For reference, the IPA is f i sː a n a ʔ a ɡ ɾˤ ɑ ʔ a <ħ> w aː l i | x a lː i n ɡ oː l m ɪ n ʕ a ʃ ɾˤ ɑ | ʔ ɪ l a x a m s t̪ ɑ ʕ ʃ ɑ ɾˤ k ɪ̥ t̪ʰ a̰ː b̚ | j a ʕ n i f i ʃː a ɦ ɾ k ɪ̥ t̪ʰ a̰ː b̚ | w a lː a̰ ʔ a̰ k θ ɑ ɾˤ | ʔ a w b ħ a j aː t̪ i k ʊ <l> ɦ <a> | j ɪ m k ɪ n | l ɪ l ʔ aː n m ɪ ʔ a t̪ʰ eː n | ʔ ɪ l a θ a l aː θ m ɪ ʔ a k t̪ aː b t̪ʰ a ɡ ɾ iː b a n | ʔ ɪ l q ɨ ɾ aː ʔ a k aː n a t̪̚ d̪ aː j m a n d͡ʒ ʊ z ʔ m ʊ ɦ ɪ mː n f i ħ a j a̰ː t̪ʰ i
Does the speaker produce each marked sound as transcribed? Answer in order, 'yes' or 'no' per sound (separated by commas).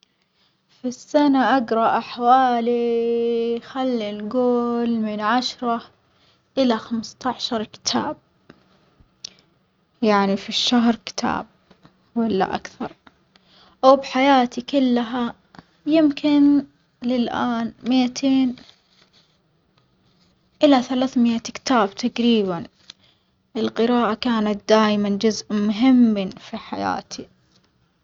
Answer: yes, no, yes